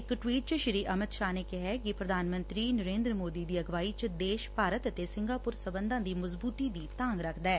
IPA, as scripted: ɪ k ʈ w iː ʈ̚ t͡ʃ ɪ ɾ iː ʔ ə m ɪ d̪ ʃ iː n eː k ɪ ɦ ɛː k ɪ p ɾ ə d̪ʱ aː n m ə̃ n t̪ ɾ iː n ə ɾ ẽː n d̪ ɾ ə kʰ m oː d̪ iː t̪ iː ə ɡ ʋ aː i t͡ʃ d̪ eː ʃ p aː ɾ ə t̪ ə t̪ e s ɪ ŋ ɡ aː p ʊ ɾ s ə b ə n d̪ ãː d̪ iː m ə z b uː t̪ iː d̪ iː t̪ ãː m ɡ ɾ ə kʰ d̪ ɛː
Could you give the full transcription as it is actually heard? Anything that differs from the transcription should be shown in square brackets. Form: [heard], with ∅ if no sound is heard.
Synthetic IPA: ɪ k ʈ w iː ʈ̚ t͡ʃ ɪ ɾ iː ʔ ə m ɪ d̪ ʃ [aː] n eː k ɪ ɦ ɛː k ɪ p ɾ ə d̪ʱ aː n m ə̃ n t̪ ɾ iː n ə ɾ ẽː n d̪ ɾ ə [∅] m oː d̪ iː [d̪] iː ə ɡ ʋ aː i t͡ʃ d̪ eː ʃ p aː ɾ ə t̪ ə t̪ e s ɪ ŋ ɡ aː p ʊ ɾ s ə b ə n d̪ ãː d̪ iː m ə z b uː t̪ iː d̪ iː t̪ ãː [ŋ] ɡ ɾ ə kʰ d̪ ɛː